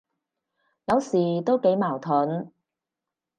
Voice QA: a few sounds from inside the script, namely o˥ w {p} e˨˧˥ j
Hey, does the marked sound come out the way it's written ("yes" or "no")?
no